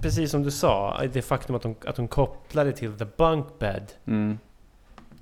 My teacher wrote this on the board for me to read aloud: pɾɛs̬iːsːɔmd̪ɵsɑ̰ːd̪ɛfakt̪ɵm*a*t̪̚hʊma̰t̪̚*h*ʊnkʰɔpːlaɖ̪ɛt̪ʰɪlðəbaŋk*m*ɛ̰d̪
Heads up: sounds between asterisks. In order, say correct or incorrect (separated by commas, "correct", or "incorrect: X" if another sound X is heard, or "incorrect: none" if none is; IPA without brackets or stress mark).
correct, correct, incorrect: b